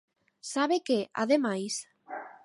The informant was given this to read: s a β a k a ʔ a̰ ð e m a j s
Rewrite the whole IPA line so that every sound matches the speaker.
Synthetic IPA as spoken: s a β e k e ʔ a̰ ð e m a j s